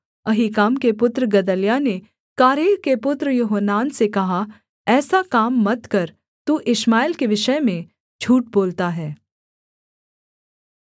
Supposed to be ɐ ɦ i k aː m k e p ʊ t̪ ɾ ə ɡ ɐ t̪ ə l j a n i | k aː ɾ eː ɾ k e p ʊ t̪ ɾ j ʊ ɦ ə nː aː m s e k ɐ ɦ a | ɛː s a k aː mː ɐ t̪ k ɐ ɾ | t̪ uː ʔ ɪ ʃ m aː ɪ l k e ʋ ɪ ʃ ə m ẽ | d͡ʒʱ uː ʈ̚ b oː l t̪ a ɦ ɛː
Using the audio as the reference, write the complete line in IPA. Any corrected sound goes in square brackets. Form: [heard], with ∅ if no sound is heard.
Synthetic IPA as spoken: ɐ ɦ i k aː m k e p ʊ t̪ ɾ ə ɡ ɐ [d̪] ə l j a n [e] | k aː ɾ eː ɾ k e p ʊ t̪ ɾ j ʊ ɦ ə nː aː [n] s e k ɐ ɦ a | ɛː s a k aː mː ɐ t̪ k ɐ ɾ | t̪ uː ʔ ɪ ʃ m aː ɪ l k e ʋ ɪ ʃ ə m ẽ | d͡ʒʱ uː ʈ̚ b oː l t̪ a ɦ ɛː